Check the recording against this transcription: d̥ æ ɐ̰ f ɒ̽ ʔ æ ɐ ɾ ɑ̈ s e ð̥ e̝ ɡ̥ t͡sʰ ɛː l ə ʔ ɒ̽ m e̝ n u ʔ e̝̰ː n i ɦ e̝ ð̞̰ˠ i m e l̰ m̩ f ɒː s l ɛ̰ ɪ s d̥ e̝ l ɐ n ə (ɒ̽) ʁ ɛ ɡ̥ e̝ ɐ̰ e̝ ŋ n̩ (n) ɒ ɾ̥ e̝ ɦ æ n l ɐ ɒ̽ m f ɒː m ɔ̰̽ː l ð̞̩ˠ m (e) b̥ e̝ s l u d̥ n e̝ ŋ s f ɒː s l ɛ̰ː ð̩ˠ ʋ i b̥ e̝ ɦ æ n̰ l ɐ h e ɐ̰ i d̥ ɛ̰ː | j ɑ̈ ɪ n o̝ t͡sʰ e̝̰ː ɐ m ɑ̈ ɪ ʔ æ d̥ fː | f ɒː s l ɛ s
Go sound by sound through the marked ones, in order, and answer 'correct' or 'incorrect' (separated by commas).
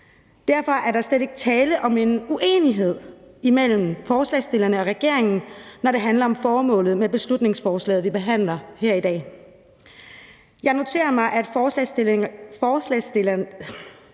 correct, correct, correct